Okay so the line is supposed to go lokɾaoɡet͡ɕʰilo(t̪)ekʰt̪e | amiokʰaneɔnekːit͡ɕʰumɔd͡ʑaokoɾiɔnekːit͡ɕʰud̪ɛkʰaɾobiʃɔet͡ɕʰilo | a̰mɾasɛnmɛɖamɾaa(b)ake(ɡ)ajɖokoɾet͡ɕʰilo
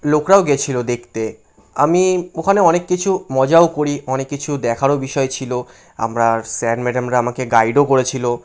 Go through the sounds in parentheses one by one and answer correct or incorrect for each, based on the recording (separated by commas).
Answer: incorrect, incorrect, correct